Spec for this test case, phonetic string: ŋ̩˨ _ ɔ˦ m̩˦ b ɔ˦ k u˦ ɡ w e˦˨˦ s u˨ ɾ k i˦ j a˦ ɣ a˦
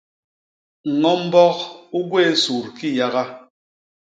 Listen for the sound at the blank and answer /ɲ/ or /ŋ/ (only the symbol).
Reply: ŋ